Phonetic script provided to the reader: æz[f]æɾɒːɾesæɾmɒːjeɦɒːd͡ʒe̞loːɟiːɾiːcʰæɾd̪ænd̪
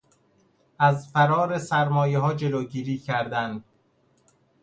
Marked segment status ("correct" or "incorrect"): correct